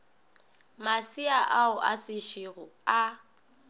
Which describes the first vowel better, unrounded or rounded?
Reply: unrounded